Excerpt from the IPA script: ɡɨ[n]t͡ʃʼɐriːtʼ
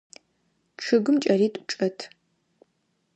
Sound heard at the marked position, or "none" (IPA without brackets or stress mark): m